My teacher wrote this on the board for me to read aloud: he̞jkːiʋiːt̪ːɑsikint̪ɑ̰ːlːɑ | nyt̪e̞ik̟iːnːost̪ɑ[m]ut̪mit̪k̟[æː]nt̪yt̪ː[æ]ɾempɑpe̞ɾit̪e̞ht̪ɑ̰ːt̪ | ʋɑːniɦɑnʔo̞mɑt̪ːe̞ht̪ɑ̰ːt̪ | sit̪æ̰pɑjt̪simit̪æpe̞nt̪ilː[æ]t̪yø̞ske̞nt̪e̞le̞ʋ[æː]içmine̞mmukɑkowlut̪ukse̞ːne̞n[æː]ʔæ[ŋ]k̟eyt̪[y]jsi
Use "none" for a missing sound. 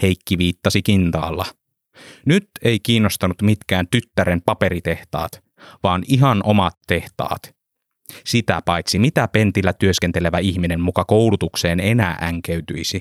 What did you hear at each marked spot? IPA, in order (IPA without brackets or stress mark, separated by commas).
n, æː, æ, æ, æ, æː, ŋ, y